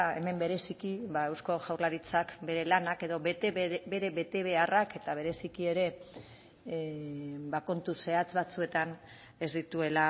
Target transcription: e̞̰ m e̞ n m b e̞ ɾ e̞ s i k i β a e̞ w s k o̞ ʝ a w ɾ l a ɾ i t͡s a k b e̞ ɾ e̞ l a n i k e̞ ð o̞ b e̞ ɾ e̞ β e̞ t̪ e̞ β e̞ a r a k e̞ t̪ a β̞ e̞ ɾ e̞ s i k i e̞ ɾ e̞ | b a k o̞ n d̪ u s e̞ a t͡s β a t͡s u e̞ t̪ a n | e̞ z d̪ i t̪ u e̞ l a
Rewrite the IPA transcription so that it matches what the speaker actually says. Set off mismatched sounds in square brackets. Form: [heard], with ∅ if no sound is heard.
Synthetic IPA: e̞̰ m e̞ [∅] m b e̞ ɾ e̞ s i k i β a e̞ w s k o̞ ʝ a w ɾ l a ɾ i t͡s a k b e̞ ɾ e̞ l a n [a] k e̞ ð o̞ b e̞ ɾ e̞ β e̞ t̪ e̞ β e̞ a r a k e̞ t̪ a β̞ e̞ ɾ e̞ s i k i e̞ ɾ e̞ | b a k o̞ n [t̪] u s e̞ a t͡s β a t͡s u e̞ t̪ a n | e̞ z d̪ i t̪ u e̞ l a